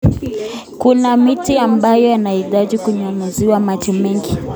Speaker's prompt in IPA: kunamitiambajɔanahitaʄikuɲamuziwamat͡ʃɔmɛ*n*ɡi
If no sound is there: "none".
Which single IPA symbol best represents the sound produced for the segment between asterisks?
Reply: ŋ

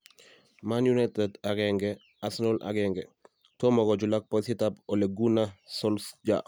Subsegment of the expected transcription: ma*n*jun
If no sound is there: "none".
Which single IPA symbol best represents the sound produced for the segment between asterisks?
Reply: n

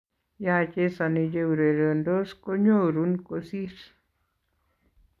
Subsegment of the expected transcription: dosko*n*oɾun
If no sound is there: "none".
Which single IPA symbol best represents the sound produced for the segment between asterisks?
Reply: ɲ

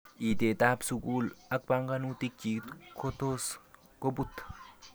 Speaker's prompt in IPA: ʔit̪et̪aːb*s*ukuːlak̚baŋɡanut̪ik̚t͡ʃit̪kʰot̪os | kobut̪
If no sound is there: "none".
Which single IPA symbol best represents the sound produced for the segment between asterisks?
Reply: s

